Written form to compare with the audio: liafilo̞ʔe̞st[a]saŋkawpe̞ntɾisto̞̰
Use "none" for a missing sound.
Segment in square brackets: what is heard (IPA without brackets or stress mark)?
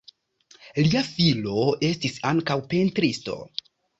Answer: i